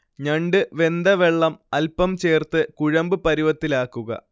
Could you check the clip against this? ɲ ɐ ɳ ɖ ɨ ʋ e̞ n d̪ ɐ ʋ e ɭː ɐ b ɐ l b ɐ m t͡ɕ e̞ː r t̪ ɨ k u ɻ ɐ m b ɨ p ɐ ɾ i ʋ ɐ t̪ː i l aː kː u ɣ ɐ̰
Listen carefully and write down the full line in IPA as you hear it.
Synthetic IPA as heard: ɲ ɐ ɳ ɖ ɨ ʋ e̞ n d̪ ɐ ʋ e ɭː ɐ m ɐ l p ɐ m t͡ɕ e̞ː r t̪ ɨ k u ɻ ɐ m b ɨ p ɐ ɾ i ʋ ɐ t̪ː i l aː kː u ɣ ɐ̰

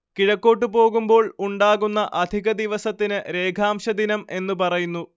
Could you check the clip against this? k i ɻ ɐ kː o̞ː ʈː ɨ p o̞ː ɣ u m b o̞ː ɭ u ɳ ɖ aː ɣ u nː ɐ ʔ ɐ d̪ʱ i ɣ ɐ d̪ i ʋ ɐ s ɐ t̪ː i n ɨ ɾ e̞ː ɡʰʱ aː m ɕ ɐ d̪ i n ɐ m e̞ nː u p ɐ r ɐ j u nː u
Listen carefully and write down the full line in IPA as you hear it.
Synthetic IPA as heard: k i ɻ ɐ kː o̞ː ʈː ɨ p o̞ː ɣ u m b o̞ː ɭ u ɳ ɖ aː ɣ u nː ɐ ʔ ɐ d̪ʱ i ɣ ɐ d̪ i ʋ ɐ s ɐ t̪ː i n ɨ ɾ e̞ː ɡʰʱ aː m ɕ ɐ d̪ i n ɐ m e̞ nː u p ɐ r ɐ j u nː u

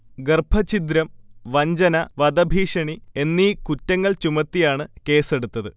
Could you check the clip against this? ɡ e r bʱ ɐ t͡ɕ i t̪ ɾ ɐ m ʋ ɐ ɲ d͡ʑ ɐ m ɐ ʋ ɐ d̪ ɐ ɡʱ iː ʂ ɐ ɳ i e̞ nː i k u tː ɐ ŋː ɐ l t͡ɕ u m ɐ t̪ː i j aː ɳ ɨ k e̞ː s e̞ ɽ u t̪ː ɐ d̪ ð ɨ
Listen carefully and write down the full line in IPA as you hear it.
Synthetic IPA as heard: ɡ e r bʱ ɐ t͡ɕ i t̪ ɾ ɐ m ʋ ɐ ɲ d͡ʑ ɐ n ɐ ʋ ɐ d̪ ɐ bʱ iː ʂ ɐ ɳ i e̞ nː i k u tː ɐ ŋː ɐ ɭ t͡ɕ u m ɐ t̪ː i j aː ɳ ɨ k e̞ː s e̞ ɽ u t̪ː ɐ ð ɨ

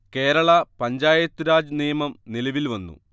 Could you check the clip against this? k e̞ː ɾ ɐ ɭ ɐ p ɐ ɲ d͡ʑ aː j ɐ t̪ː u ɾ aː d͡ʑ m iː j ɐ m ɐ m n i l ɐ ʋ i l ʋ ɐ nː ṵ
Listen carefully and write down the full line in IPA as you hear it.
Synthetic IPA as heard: k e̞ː ɾ ɐ ɭ ɐ p ɐ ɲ d͡ʑ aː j ɐ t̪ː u ɾ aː d͡ʑ n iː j ɐ m ɐ m n i l ɐ ʋ i l ʋ ɐ nː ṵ

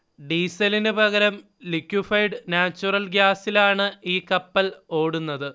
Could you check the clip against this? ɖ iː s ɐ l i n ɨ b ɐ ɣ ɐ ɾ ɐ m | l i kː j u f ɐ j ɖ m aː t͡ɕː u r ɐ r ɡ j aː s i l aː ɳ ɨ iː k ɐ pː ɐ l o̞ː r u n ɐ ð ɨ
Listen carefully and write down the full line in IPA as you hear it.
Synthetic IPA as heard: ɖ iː s ɐ l i n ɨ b ɐ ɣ ɐ ɾ ɐ m | l i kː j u f ɐ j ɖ n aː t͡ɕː u r ɐ l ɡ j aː s i l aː ɳ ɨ iː k ɐ pː ɐ l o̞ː ɽ u nː ɐ ð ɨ

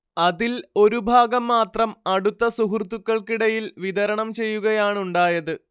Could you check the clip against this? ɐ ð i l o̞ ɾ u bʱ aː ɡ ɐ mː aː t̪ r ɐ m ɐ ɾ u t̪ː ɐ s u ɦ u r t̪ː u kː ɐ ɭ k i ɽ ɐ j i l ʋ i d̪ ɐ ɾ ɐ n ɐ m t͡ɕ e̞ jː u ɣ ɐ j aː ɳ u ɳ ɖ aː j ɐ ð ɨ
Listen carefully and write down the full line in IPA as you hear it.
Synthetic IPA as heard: ɐ ð i l o̞ ɾ u bʱ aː ɡ ɐ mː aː t̪ r ɐ m ɐ ɽ u t̪ː ɐ s u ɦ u r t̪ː u kː ɐ ɭ k i ɽ ɐ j i l ʋ i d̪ ɐ ɾ ɐ ɳ ɐ m t͡ɕ e̞ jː u ɣ ɐ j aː ɳ u ɳ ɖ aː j ɐ ð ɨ

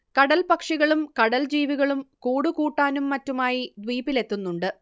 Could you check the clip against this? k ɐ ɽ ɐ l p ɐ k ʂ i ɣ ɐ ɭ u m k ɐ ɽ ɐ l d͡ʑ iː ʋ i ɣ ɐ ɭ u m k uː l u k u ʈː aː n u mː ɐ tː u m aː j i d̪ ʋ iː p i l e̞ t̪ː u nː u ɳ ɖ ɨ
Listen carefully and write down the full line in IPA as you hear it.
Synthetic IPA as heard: k ɐ ɽ ɐ l p ɐ k ʂ i ɣ ɐ ɭ u m k ɐ ɽ ɐ l d͡ʑ iː ʋ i ɣ ɐ ɭ u m k uː ɽ u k uː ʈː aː n u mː ɐ tː u m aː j i d̪ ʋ iː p i l e̞ t̪ː u nː u ɳ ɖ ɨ

